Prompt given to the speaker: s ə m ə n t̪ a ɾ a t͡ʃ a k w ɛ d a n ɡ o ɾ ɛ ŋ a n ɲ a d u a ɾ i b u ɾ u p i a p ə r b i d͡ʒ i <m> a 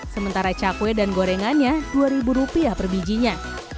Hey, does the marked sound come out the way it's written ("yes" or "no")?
no